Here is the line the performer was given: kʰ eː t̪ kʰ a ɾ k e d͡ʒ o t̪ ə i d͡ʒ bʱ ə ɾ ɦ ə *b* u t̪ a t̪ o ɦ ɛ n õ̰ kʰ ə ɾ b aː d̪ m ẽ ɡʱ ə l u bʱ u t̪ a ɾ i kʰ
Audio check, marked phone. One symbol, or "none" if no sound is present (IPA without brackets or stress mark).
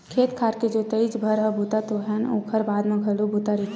b